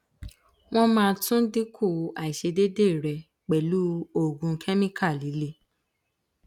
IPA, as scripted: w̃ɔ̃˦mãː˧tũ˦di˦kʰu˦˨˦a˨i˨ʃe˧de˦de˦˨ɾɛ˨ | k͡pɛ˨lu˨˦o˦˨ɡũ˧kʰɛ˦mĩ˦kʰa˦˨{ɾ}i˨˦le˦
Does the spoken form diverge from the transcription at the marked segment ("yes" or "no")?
yes